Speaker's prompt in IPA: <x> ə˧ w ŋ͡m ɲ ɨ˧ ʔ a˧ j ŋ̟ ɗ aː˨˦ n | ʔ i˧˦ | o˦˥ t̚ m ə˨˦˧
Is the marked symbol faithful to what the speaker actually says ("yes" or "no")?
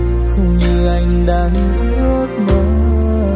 yes